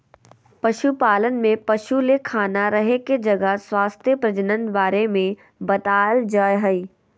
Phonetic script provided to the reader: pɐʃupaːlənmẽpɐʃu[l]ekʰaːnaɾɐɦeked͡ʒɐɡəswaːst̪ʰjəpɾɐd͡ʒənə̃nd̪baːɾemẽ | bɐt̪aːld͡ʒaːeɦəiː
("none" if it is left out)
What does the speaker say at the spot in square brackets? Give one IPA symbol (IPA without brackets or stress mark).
l